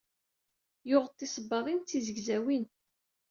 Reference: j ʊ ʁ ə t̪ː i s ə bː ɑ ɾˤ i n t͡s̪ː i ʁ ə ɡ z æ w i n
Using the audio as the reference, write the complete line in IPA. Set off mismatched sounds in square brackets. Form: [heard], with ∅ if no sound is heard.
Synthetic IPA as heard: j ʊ ʁ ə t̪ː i s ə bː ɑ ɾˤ i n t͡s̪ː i [z] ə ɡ z æ w i n